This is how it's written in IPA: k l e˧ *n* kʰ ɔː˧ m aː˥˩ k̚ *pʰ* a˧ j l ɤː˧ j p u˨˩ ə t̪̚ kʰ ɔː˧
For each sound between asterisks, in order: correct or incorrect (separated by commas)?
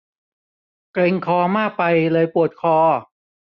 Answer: incorrect, incorrect